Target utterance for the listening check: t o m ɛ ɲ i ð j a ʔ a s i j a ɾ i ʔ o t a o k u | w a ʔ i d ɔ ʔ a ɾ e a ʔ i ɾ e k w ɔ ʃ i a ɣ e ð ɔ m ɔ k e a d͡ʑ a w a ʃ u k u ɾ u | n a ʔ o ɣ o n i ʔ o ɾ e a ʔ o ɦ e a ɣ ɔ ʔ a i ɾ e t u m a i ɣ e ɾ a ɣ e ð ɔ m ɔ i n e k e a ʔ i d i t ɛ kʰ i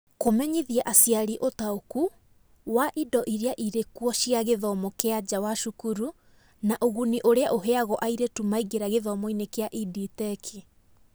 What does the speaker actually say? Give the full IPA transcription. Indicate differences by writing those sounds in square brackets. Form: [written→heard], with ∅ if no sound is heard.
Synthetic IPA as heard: [t→k] o m ɛ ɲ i ð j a ʔ a s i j a ɾ i ʔ o t a o k u | w a ʔ i d ɔ ʔ [a→i] ɾ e a ʔ i ɾ e k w ɔ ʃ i a ɣ e ð ɔ m ɔ k e a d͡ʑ a w a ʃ u k u ɾ u | n a ʔ o ɣ [o→u] n i ʔ o ɾ e a ʔ o ɦ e a ɣ ɔ ʔ a i ɾ e t u m a i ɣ e ɾ a ɣ e ð ɔ m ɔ i n e k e a ʔ i d i t ɛ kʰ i

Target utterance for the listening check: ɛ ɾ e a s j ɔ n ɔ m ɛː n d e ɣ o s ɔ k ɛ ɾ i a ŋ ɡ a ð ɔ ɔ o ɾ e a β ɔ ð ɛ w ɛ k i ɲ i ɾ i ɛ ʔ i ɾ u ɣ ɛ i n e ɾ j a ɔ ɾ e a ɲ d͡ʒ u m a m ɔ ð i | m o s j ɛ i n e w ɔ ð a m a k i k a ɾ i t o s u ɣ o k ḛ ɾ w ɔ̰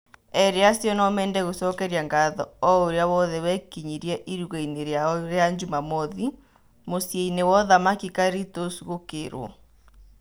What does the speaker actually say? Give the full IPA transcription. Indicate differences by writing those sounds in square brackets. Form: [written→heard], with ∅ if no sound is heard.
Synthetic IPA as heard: ɛ ɾ e a s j ɔ n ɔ m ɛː n d [e→ɛ] ɣ o s ɔ k ɛ ɾ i a ŋ ɡ a ð ɔ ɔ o ɾ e a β ɔ ð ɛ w ɛ k i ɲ i ɾ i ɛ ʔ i ɾ u ɣ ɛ i n e ɾ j a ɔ ɾ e a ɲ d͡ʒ u m a m ɔ ð i | m o s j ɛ i n e w ɔ ð a m a k i k a ɾ i t o s u ɣ o k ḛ ɾ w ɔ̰

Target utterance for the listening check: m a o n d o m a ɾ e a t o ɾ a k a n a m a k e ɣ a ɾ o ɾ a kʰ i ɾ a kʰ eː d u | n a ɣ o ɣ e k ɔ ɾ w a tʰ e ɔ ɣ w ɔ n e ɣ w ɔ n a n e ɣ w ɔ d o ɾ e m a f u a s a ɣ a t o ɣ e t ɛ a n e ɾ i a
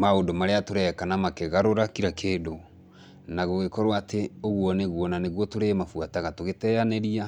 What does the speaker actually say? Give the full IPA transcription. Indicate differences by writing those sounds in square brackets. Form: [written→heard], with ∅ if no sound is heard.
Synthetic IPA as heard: m a o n d o m a ɾ e a t o ɾ [a→ɛ] k a n a m a k e ɣ a ɾ o ɾ a [kʰ→k] i ɾ a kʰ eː d [u→o] | n a ɣ o ɣ e k ɔ ɾ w a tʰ e [ɔ→o] ɣ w ɔ n e ɣ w ɔ n a n e ɣ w ɔ [d→t] o ɾ e m a f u a [s→t] a ɣ a t o ɣ e t ɛ a n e ɾ i a

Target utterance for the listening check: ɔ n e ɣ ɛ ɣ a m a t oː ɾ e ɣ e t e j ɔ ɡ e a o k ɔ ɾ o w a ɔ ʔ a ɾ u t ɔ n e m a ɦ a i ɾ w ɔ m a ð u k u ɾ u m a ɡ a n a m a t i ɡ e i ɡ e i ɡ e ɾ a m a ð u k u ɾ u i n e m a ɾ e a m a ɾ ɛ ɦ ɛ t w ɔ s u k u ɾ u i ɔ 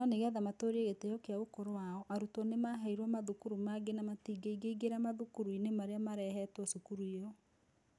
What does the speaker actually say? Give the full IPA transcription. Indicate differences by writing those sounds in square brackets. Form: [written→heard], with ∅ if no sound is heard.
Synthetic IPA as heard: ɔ n e ɣ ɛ [ɣ→ð] a m a t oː ɾ e ɣ e t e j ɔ [ɡ→k] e a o k [ɔ→o] ɾ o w a ɔ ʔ a ɾ u t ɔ n e m a ɦ a i ɾ w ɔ m a ð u k u ɾ u m a ɡ [a→e] n a m a t i ɡ e i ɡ e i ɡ e ɾ a m a ð u k u ɾ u i n e m a ɾ e a m a ɾ ɛ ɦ ɛ t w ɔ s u k u ɾ u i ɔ

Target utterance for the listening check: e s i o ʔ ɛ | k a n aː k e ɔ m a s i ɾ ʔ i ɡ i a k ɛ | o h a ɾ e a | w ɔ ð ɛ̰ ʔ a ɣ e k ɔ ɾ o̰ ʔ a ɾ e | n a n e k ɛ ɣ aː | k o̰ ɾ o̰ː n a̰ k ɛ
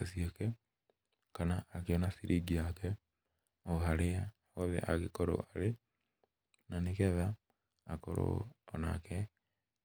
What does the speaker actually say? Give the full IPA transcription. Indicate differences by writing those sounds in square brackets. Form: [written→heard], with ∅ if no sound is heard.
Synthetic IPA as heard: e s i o [ʔ→k] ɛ | k a n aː k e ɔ [m→n] a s i ɾ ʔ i ɡ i a k ɛ | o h a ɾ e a | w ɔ ð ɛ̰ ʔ a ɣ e k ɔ ɾ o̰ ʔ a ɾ e | n a n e k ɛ [ɣ→ð] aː | k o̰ ɾ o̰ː n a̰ k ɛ

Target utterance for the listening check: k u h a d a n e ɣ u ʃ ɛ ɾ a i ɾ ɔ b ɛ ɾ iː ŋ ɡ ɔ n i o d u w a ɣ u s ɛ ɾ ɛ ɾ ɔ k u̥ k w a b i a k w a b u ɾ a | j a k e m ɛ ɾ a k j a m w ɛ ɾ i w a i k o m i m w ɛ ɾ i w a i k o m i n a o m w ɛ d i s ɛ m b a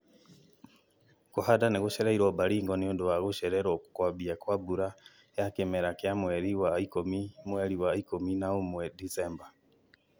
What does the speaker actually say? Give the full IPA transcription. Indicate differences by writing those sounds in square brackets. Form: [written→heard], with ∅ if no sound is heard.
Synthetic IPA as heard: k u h a d a n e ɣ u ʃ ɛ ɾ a i ɾ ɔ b [ɛ→a] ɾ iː ŋ ɡ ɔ n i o d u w a ɣ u [s→ʃ] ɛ ɾ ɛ ɾ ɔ k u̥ k w a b i a k w a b u ɾ a | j a k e m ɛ ɾ a k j a m w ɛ ɾ i w a i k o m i m w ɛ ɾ i w a i k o m i n a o m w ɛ d i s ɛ m b a

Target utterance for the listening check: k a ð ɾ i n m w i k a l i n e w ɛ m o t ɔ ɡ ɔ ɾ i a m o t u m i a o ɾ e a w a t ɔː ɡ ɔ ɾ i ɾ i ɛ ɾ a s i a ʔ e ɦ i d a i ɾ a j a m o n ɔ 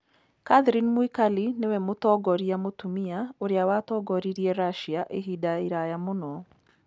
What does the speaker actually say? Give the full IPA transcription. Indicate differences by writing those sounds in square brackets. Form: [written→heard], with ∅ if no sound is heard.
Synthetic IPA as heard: k a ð ɾ i n m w i k a l i n e w ɛ m o t ɔ ɡ ɔ ɾ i a m o t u m i a o ɾ e a w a t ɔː ɡ ɔ ɾ i ɾ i ɛ ɾ a [s→ʃ] i a ʔ e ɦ i d a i ɾ a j a m o n ɔ

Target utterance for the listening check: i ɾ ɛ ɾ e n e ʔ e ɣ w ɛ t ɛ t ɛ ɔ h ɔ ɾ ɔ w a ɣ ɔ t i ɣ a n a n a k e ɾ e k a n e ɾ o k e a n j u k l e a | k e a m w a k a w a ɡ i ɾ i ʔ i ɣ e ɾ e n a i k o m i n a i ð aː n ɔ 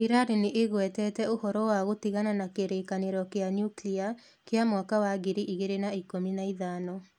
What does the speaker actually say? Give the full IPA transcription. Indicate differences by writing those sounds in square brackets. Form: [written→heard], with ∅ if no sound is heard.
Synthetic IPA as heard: i ɾ [ɛ→a] ɾ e n e ʔ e ɣ w ɛ t ɛ t ɛ [ɔ→o] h ɔ ɾ ɔ w a ɣ [ɔ→o] t i ɣ a n a n a k e ɾ e k a n e ɾ [o→ɔ] k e a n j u k l [e→i] a | k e a m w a k a w a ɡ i ɾ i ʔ i ɣ e ɾ e n a i k o m i n a i ð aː n ɔ

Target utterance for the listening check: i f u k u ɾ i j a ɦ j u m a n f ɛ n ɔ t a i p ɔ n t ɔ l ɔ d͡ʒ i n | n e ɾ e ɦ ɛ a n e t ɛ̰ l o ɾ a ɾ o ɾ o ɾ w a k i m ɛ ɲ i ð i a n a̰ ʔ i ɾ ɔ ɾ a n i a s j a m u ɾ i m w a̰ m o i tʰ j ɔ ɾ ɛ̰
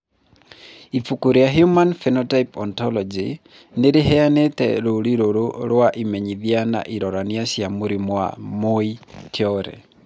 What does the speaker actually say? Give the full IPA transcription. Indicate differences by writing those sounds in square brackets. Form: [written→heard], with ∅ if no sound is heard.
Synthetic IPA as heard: i f u k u ɾ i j a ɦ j u m a n f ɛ n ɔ t a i p ɔ n t ɔ l ɔ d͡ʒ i [n→∅] | n e ɾ e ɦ ɛ a n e t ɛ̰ [l→ɾ] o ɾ [a→i] ɾ o ɾ o ɾ w a [k→ʔ] i m ɛ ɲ i ð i a n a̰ ʔ i ɾ ɔ ɾ a n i a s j a m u ɾ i m w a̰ m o i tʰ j ɔ ɾ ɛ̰

